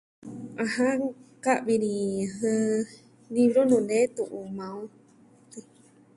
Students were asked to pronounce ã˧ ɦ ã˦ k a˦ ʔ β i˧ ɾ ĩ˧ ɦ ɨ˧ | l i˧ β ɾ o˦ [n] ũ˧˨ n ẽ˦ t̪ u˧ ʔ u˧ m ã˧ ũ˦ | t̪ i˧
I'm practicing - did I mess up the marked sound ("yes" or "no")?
no